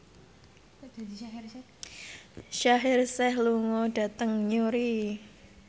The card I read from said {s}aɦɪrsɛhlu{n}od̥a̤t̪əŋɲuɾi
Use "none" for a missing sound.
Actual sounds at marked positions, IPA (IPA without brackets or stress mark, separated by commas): ʃ, ŋ